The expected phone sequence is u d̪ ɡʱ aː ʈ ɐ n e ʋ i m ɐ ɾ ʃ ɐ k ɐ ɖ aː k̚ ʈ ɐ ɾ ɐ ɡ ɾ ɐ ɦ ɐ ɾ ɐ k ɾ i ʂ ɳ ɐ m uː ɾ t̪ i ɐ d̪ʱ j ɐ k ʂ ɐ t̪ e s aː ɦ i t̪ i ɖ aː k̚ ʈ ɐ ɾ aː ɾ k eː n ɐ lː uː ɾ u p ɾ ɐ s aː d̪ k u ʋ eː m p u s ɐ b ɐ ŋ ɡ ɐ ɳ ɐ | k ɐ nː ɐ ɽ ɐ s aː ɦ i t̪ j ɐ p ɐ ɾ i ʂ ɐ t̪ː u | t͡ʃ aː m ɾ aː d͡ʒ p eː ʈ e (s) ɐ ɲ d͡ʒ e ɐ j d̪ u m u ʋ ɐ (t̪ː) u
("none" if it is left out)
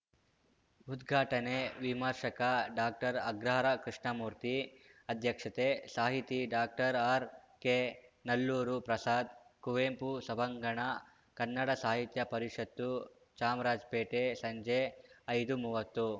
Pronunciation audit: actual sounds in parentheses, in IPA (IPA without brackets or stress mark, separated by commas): s, t̪ː